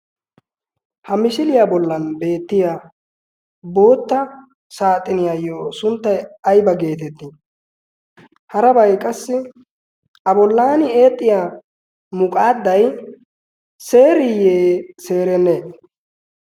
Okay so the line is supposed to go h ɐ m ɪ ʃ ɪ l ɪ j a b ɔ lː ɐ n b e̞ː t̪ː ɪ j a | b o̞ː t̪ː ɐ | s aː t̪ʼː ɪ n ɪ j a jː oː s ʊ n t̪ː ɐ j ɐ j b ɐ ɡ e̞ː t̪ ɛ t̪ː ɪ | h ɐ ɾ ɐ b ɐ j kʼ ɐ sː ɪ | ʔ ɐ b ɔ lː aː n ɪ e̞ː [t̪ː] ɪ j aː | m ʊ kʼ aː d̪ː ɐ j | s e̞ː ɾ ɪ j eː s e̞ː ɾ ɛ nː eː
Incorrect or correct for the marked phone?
incorrect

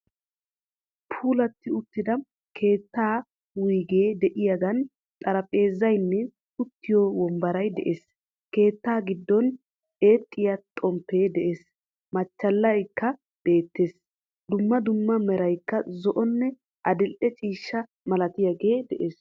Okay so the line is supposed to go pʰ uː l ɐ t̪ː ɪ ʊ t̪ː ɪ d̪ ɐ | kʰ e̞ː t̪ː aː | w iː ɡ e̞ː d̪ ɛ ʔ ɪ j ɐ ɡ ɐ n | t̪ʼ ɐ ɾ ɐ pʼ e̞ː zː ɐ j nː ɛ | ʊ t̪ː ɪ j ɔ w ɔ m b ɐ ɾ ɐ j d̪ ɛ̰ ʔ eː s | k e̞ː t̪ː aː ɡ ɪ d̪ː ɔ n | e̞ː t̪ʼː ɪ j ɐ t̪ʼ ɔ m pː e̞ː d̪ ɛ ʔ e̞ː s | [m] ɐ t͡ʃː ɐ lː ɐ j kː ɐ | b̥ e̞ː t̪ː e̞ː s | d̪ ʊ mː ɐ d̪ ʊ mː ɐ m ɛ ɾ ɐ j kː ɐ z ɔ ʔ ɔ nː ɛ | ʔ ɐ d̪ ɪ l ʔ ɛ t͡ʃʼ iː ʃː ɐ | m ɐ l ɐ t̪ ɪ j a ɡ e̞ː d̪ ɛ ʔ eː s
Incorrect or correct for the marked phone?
correct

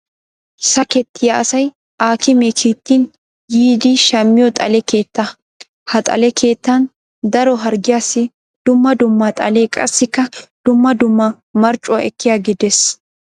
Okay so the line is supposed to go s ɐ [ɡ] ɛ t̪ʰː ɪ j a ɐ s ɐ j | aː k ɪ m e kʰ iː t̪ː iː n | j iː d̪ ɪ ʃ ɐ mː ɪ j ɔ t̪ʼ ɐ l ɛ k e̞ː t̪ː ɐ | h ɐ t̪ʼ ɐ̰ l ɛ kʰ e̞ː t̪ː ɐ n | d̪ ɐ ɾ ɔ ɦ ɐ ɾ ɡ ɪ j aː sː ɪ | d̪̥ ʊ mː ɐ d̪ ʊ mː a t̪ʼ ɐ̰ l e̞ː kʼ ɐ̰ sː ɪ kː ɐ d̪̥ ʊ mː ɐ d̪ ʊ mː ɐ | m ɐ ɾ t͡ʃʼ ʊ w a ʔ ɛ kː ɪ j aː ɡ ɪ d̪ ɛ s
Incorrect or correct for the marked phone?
incorrect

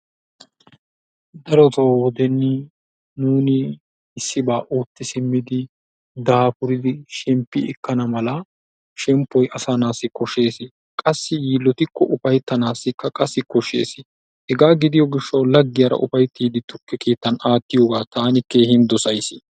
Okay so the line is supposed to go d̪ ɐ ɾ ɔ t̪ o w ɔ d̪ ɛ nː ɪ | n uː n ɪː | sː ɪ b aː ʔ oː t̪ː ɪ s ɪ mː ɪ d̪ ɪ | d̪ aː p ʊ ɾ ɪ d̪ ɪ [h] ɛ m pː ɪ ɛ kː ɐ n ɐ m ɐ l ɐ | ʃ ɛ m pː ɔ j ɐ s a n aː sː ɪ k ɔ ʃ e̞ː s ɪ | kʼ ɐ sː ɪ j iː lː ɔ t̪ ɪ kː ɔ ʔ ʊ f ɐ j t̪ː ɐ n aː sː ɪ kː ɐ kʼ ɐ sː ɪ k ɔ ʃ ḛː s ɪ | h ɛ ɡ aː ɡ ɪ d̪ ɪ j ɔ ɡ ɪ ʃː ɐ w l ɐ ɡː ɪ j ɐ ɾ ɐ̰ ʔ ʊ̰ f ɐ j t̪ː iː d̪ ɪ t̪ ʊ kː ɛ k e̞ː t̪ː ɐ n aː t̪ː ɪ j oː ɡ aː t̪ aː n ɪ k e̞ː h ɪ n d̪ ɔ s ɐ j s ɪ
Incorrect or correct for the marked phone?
incorrect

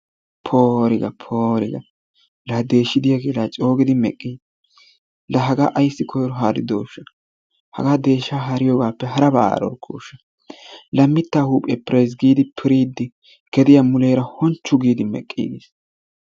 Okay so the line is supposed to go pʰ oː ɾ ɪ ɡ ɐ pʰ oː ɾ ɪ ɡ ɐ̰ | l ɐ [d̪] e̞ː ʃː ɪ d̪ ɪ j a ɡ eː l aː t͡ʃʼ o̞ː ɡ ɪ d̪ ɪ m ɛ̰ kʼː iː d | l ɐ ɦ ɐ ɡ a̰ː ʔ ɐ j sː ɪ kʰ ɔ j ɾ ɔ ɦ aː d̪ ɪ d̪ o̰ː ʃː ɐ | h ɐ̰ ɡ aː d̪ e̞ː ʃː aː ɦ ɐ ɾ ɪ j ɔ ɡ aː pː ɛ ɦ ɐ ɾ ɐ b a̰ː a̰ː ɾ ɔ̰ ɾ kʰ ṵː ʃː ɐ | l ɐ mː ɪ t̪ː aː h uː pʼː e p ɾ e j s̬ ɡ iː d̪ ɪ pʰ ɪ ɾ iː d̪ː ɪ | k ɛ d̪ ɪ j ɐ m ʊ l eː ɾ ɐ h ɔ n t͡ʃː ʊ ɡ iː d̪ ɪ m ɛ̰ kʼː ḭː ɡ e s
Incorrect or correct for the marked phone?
correct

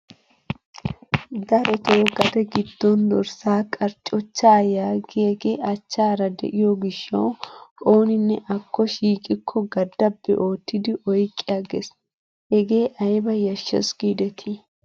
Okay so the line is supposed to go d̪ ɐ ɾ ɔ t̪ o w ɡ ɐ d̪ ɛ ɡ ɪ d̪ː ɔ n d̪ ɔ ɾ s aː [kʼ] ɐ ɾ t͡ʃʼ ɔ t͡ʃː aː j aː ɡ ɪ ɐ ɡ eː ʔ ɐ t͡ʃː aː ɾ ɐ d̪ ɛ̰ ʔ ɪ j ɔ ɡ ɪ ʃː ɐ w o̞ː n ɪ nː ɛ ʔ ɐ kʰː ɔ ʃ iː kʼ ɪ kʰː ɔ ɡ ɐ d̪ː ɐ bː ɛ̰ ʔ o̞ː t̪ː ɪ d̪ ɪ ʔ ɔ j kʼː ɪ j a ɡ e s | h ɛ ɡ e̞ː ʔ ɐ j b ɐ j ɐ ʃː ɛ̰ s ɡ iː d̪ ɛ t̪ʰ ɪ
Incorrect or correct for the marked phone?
correct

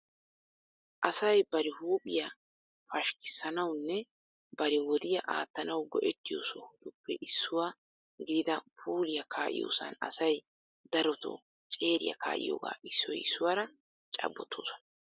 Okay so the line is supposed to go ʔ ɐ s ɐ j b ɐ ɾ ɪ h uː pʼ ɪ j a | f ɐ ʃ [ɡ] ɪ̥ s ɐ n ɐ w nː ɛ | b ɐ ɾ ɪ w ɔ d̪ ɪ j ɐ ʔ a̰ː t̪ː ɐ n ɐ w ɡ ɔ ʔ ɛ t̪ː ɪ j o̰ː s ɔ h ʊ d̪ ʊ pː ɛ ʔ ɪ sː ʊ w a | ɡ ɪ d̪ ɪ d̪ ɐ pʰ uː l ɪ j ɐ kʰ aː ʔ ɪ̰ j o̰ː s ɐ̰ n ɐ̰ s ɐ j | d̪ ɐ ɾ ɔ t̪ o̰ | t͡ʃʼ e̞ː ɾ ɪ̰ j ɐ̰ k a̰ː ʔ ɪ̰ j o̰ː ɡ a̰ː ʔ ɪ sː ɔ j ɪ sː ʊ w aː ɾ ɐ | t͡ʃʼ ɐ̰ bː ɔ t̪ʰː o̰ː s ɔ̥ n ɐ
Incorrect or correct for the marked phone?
incorrect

